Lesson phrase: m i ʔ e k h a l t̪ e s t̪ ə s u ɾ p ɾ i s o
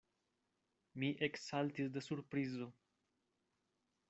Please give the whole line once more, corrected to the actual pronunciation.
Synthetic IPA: m i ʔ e k s a l t̪ i s d̪ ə s u ɾ p ɾ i z o